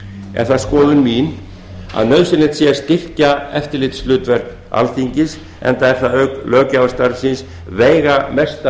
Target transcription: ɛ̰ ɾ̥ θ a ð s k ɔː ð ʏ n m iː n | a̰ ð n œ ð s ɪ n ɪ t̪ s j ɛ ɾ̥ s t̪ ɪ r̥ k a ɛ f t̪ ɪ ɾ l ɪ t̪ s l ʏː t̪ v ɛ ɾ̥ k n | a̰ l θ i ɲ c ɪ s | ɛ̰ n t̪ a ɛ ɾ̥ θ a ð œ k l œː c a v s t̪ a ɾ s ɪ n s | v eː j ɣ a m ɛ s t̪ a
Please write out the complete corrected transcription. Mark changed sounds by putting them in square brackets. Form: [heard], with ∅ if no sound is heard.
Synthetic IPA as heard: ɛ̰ ɾ̥ θ a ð s k ɔː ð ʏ n m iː n | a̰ ð n œ ð s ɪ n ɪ t̪ s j ɛ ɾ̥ s t̪ ɪ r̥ [c] a ɛ f t̪ ɪ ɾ l ɪ t̪ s l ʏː t̪ v ɛ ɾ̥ k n | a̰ l θ i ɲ c ɪ s | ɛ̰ n t̪ a ɛ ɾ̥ θ a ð œ k l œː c a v s t̪ a ɾ s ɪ n s | v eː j ɣ a m ɛ s t̪ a